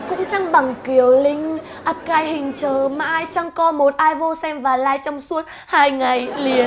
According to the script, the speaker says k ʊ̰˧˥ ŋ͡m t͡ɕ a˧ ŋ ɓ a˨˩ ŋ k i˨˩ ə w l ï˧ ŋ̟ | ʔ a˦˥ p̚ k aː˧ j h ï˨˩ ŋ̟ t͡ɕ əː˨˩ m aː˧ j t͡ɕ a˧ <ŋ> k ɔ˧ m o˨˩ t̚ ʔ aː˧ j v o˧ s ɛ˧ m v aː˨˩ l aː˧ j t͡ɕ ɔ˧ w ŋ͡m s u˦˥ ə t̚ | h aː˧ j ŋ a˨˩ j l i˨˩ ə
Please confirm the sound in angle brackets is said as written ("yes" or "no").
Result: yes